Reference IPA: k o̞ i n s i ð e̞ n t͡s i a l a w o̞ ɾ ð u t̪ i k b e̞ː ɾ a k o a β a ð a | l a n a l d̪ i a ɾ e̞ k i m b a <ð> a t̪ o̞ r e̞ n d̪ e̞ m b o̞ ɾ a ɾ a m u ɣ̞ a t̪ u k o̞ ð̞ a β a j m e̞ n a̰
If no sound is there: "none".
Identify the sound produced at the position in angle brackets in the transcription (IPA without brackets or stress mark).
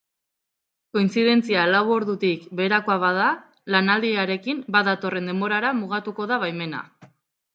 ð